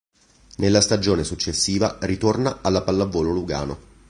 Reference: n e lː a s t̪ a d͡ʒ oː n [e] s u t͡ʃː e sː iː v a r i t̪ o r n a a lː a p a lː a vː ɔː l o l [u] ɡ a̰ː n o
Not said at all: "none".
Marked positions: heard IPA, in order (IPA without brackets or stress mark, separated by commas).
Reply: e, u